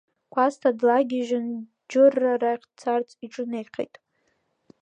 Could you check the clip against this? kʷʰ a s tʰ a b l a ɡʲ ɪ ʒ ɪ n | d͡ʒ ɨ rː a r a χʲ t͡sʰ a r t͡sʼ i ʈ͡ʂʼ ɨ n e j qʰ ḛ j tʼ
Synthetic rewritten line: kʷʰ a s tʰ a d l a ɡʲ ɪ ʒ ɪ n | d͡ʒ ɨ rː a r a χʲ t͡sʰ a r t͡sʼ i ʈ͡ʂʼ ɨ n e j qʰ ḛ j tʼ